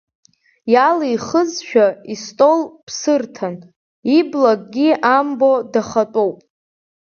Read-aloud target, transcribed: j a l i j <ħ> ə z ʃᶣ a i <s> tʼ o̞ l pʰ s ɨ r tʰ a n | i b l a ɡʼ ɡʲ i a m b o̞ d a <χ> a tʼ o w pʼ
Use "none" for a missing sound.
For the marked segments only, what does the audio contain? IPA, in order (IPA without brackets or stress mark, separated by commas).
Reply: χ, s, χ